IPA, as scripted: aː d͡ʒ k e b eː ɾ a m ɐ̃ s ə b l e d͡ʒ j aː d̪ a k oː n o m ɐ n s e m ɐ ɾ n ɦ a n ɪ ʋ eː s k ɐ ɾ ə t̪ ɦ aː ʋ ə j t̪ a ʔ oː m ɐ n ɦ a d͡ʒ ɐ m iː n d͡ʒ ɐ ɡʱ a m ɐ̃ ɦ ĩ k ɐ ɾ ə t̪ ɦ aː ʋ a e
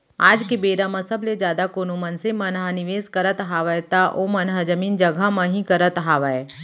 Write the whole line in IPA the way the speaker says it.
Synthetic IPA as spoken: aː d͡ʒ k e b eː ɾ a m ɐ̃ s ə b l e d͡ʒ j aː d̪ a k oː n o m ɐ n s e m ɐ n ɦ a n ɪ ʋ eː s k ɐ ɾ ə t̪ ɦ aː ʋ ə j t̪ a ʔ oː m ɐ n ɦ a d͡ʒ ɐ m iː n d͡ʒ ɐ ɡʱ a m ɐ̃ ɦ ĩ k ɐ ɾ ə t̪ ɦ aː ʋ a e